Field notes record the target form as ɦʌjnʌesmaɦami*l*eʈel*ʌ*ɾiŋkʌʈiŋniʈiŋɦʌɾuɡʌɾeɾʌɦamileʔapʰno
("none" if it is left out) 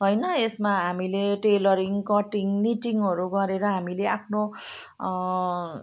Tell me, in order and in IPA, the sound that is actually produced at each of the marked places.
l, ʌ

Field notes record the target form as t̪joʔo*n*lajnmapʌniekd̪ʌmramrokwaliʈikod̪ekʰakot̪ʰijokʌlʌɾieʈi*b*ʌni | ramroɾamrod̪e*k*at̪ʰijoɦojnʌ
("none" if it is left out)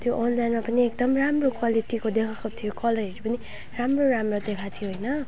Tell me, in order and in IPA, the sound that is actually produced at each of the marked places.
n, p, kʰ

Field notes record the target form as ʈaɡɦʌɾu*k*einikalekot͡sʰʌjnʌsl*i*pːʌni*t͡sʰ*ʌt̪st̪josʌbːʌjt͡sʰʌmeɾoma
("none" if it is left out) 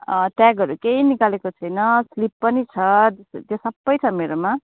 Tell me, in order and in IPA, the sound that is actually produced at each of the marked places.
k, i, t͡sʰ

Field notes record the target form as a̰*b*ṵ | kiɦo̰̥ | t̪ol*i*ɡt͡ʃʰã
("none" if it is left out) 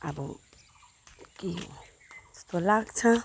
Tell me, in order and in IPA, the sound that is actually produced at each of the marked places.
b, a

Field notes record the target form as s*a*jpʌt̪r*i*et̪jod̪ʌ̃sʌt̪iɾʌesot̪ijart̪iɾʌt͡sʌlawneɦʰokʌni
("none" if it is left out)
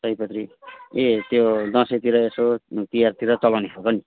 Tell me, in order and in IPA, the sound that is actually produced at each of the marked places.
ʌ, i

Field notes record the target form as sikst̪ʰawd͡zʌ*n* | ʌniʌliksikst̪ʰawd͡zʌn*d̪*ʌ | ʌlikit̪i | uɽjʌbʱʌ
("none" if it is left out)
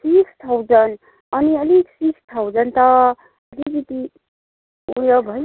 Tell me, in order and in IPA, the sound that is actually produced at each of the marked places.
n, t̪

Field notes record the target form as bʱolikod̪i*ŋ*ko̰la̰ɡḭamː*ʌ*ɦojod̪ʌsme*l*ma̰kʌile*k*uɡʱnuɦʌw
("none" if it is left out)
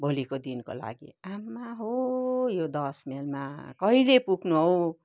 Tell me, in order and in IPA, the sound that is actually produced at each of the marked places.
n, a, l, p

